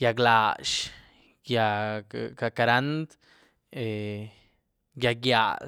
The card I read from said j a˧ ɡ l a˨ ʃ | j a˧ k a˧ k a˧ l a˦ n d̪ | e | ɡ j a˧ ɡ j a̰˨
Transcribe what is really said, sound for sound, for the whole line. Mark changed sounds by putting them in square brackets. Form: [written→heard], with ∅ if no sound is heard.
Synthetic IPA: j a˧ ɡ l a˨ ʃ | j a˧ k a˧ k a˧ [l→ɾ] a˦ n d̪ | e | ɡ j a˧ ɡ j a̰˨

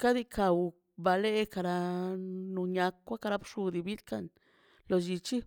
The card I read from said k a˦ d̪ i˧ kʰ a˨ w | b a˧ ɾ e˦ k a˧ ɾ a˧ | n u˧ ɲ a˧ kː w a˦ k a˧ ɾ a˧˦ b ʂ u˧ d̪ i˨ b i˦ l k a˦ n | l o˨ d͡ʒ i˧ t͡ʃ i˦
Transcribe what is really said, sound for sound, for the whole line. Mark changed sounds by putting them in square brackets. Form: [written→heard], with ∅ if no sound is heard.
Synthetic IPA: k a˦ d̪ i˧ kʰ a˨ w | b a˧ [ɾ→l] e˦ k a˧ ɾ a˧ | n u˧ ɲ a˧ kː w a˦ k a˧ ɾ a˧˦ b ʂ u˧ d̪ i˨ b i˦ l k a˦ n | l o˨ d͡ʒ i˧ t͡ʃ i˦

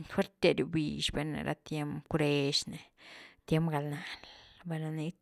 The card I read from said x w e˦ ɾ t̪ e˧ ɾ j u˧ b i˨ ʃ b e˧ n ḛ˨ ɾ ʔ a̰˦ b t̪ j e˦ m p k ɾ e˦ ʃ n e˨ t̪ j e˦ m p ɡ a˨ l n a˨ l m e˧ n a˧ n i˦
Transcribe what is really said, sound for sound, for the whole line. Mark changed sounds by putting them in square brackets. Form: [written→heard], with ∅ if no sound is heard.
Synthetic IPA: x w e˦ ɾ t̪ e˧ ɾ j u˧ b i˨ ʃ b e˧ n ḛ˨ ɾ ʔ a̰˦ [b→∅] t̪ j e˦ m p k ɾ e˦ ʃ n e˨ t̪ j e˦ m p ɡ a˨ l n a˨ l [m→b] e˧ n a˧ n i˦

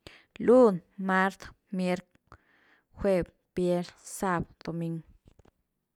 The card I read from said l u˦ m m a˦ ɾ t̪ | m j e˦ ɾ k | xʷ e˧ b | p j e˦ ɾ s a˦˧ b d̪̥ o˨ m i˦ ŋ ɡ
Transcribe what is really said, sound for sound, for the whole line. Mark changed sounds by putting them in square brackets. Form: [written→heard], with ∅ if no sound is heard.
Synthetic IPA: l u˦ [m→n] m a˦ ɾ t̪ | m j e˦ ɾ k | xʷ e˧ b | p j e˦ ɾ s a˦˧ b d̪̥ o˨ m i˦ ŋ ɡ

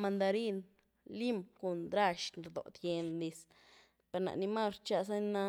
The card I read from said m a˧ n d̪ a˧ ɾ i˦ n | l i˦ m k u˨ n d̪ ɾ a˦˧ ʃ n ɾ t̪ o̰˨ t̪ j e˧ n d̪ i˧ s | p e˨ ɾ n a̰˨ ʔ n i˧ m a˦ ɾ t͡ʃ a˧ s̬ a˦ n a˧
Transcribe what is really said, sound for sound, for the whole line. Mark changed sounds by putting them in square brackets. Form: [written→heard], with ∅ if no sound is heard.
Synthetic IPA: m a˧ n d̪ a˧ ɾ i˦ n | l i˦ m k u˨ n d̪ ɾ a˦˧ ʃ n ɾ [t̪→d̪] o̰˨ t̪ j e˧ n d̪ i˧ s | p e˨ ɾ n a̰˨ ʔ n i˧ m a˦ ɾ t͡ʃ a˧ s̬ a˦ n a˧

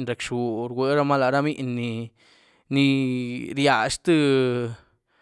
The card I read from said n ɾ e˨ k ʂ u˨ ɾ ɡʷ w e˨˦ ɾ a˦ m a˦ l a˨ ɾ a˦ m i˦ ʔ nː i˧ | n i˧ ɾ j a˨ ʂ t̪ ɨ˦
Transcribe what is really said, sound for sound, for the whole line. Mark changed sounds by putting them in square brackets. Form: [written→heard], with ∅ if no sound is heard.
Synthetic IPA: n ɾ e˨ k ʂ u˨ ɾ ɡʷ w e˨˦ ɾ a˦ m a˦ l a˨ ɾ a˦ m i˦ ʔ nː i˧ | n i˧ ɾ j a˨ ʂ t̪ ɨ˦

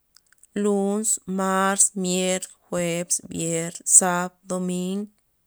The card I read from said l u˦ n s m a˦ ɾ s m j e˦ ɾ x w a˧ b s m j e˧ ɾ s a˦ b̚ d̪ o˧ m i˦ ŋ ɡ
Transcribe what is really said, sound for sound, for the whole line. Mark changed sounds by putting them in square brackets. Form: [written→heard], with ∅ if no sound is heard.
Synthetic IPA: l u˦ n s m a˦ ɾ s m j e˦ ɾ x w [a˧→e˧] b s [m→b] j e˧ ɾ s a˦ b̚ d̪ o˧ m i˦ ŋ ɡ

